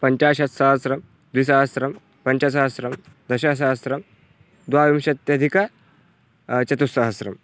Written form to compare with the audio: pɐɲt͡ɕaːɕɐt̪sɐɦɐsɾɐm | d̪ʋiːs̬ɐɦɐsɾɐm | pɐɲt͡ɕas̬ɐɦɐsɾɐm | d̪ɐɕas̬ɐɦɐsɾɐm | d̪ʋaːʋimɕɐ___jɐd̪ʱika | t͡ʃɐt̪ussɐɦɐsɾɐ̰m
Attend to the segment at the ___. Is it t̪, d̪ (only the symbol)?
t̪